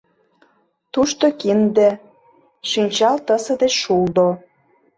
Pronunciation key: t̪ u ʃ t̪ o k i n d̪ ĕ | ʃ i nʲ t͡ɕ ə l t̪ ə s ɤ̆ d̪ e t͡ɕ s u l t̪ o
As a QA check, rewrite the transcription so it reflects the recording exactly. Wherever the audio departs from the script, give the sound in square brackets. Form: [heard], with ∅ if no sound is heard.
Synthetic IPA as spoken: t̪ u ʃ t̪ o k i n d̪ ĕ | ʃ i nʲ t͡ɕ [ɑ] l t̪ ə s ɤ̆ d̪ e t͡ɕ [ʃ] u l [d̪] o

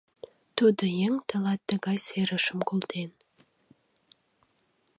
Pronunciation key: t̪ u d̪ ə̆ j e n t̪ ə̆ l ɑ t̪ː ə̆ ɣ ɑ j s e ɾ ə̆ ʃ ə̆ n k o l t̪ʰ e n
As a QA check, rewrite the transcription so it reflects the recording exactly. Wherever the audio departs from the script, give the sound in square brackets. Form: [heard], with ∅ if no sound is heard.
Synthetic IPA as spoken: t̪ u d̪ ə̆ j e [ŋ] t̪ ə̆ l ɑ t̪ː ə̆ ɣ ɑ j s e ɾ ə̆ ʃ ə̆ [m] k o l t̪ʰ e n

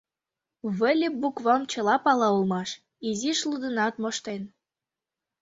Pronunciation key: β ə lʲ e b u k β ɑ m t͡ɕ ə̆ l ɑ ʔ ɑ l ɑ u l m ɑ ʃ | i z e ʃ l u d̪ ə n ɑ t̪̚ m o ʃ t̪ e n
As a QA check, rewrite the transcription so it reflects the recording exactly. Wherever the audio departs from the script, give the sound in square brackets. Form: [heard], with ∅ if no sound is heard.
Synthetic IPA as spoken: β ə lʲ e b u k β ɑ m t͡ɕ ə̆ l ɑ [p] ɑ l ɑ u l m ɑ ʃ | i z [i] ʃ l u d̪ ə n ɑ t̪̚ m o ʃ t̪ e n

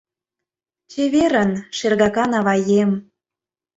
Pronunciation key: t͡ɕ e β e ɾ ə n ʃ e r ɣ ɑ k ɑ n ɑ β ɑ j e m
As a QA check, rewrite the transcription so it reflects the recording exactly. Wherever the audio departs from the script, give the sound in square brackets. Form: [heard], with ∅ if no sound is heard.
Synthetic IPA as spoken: t͡ɕ e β e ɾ ə n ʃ e r ɣ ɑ k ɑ n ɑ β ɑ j e m

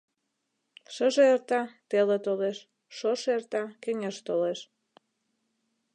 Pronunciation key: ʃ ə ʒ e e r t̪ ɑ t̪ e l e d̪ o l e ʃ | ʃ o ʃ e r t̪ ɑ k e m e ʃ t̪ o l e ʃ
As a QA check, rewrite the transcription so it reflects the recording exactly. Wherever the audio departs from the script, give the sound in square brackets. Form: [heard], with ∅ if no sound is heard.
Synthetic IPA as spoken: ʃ ə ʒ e e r t̪ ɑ t̪ e l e [t̪] o l e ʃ | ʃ o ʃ e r t̪ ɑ k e [ŋ] e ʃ t̪ o l e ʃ

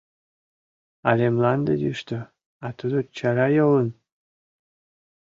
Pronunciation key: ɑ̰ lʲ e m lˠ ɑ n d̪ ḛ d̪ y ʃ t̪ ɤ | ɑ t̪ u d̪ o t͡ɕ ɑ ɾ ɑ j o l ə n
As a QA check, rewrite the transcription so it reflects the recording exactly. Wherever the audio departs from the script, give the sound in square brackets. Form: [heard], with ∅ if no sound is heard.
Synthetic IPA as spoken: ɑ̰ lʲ e m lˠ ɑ n d̪ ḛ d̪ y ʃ t̪ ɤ | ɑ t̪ u d̪ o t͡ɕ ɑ ɾ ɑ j o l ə n

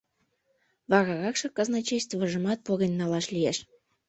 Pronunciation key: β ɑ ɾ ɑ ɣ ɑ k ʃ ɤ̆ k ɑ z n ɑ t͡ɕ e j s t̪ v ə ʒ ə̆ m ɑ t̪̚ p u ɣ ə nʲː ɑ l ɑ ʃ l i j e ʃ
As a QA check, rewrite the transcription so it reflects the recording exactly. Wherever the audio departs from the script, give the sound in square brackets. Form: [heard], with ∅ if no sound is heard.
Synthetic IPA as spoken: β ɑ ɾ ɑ ɣ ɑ k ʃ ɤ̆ k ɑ z n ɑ t͡ɕ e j s t̪ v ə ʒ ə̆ m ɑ t̪̚ p [o] ɣ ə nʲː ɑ l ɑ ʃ l i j e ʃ

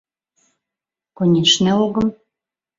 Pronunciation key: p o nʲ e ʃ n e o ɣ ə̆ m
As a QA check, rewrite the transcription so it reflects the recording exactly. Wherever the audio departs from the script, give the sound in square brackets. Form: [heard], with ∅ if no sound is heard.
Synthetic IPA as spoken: [k] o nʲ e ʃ n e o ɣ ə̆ m

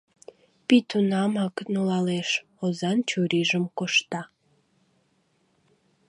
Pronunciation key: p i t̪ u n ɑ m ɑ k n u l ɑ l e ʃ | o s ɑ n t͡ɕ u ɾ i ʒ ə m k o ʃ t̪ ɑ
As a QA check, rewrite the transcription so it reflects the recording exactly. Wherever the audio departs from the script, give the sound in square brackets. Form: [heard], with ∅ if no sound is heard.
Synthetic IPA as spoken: p i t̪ u n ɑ m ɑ k n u l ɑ l e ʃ | o [z] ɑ n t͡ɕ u ɾ i ʒ ə m k o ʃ t̪ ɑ

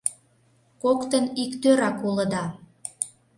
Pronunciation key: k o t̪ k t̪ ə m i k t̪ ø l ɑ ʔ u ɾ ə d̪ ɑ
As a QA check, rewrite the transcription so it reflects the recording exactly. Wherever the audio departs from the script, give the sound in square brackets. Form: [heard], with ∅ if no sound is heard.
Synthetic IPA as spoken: k o [∅] k t̪ ə [n] i k t̪ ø [ɾ] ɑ [k] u [l] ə d̪ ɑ

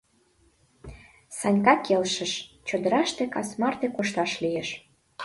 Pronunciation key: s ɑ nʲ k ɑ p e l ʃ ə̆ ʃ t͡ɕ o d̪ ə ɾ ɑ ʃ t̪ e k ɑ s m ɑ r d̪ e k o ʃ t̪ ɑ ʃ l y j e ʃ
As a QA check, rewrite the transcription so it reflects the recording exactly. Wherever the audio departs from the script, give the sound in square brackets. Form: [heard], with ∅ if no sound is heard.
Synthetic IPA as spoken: s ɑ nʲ k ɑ [k] e l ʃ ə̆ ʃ t͡ɕ o d̪ ə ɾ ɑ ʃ t̪ e k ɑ s m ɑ r [t̪] e k o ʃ t̪ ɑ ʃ l [i] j e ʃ

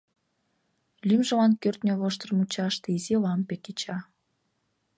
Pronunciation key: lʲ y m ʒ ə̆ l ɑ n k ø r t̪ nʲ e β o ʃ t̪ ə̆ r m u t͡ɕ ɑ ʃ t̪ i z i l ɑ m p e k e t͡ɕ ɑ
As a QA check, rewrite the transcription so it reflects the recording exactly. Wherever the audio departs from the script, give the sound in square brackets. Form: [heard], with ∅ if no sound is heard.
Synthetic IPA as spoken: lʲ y m ʒ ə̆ l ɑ n k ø r t̪ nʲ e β o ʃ t̪ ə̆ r m u t͡ɕ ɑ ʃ t̪ i z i l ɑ m p e k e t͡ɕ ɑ

